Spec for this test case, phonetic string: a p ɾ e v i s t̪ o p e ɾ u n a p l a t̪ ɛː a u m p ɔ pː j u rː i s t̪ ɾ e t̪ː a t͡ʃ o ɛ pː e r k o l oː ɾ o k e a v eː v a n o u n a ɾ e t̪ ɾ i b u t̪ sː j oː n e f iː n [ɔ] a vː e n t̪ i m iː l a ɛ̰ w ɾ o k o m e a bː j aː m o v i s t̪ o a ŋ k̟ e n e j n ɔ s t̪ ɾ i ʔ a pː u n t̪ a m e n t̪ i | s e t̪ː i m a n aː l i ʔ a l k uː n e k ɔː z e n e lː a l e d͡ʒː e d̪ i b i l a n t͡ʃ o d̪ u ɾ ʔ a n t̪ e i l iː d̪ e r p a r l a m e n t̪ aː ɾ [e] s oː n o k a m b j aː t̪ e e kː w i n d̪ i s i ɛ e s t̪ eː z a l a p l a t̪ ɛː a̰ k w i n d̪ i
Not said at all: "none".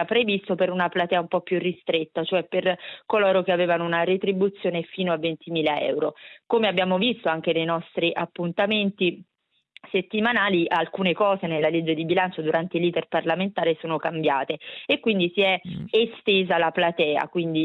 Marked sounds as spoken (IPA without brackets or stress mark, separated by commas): o, e